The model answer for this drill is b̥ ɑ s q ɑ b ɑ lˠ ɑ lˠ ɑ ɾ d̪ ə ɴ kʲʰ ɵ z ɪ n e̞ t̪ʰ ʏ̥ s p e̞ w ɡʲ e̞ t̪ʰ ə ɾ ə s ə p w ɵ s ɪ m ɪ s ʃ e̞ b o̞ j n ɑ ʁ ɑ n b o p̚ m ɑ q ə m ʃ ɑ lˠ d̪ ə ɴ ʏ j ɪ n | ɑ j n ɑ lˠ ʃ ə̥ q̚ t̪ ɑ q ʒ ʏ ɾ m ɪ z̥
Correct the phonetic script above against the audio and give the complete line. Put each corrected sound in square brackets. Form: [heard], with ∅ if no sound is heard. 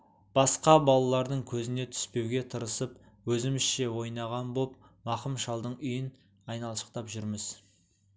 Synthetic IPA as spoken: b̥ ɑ s q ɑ b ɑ lˠ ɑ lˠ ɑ ɾ d̪ ə ɴ kʲʰ ɵ z ɪ n e̞ t̪ʰ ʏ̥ s p e̞ w ɡʲ e̞ t̪ʰ ə ɾ ə s ə p w ɵ [z] ɪ m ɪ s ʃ e̞ [w] o̞ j n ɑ ʁ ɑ n b o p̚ m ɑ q ə m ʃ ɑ lˠ d̪ ə ɴ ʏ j ɪ n | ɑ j n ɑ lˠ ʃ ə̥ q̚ t̪ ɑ [p] ʒ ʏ ɾ m ɪ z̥

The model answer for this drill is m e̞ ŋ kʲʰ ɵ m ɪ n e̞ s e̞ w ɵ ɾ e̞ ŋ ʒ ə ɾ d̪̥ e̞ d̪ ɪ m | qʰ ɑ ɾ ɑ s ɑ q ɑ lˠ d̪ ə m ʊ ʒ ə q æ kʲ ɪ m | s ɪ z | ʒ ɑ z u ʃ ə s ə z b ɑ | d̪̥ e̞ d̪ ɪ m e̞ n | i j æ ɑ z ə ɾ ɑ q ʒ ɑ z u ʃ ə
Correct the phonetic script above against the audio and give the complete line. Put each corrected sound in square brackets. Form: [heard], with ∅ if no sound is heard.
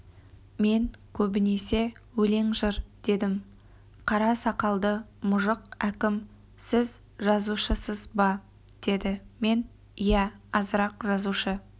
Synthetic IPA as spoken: m e̞ ŋ kʲʰ ɵ [b] ɪ n e̞ s e̞ w ɵ [l] e̞ ŋ ʒ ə ɾ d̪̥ e̞ d̪ ɪ m | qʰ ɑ ɾ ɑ s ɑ q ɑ lˠ d̪ ə m ʊ ʒ ə q æ kʲ ɪ m | s ɪ z | ʒ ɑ z u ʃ ə s ə z b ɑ | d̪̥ e̞ d̪ ɪ m e̞ n | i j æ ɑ z ə ɾ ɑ q ʒ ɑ z u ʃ ə

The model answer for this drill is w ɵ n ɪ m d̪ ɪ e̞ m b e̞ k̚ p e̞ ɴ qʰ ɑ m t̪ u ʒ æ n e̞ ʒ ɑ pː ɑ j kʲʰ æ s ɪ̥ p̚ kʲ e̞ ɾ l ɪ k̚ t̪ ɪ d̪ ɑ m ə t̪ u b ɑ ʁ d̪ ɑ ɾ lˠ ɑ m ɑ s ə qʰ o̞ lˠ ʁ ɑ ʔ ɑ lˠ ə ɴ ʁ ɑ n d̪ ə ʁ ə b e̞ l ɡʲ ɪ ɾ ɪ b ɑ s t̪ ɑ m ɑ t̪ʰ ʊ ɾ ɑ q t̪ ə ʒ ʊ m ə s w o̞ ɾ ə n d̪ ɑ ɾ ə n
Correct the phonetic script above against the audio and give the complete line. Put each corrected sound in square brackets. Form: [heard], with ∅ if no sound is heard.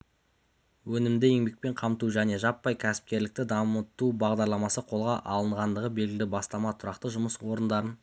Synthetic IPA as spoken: w ɵ n ɪ m d̪ ɪ e̞ [ŋ] b e̞ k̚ p e̞ ɴ qʰ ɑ m t̪ u ʒ æ n e̞ ʒ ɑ pː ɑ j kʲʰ æ s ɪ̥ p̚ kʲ e̞ ɾ l ɪ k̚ t̪ ɪ d̪ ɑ m ə t̪ u b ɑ ʁ d̪ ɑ ɾ lˠ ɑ m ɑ s ə qʰ o̞ lˠ ʁ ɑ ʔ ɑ lˠ ə ɴ ʁ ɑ n d̪ ə ʁ ə b e̞ l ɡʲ ɪ [l] ɪ b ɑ s t̪ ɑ m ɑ t̪ʰ ʊ ɾ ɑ q t̪ ə ʒ ʊ m ə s w o̞ ɾ ə n d̪ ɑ ɾ ə n

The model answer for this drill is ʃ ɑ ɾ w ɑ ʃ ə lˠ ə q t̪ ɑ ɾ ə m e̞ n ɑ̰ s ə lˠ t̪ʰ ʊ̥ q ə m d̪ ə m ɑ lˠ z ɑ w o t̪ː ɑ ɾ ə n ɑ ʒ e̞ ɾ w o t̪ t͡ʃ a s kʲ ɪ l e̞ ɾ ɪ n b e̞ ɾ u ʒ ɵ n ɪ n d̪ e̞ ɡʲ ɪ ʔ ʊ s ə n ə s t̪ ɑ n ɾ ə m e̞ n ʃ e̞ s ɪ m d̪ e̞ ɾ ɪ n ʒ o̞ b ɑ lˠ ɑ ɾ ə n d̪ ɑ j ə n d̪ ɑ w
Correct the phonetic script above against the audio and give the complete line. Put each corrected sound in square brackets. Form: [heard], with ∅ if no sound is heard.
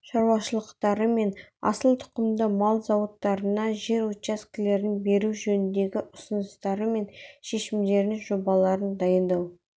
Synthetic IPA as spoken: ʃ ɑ ɾ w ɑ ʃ ə lˠ ə q t̪ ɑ ɾ ə m e̞ n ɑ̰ s ə lˠ t̪ʰ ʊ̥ q ə m d̪ ə m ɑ lˠ z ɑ w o t̪ː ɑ ɾ ə n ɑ ʒ e̞ ɾ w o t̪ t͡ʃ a s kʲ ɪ l e̞ ɾ ɪ n b e̞ ɾ u ʒ ɵ n ɪ n d̪ e̞ ɡʲ ɪ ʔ ʊ s ə n ə s t̪ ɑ [∅] ɾ ə m e̞ n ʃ e̞ [ʃ] ɪ m d̪ e̞ ɾ ɪ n ʒ o̞ b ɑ lˠ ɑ ɾ ə n d̪ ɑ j ə n d̪ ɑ w

